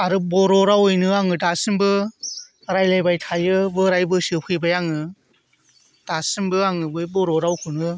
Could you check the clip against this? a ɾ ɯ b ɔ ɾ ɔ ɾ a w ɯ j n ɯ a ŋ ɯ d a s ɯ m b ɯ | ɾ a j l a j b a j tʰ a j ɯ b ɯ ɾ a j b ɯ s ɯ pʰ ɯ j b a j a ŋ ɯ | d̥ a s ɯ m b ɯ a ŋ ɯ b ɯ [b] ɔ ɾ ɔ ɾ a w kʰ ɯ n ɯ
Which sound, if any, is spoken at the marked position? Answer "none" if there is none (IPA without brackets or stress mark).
b